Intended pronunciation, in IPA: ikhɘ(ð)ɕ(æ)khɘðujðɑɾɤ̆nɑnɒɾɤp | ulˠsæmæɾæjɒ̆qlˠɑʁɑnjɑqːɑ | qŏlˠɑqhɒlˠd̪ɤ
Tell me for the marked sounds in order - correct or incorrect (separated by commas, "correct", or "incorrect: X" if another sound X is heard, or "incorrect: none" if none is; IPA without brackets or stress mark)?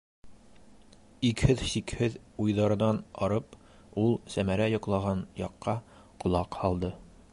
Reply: correct, incorrect: i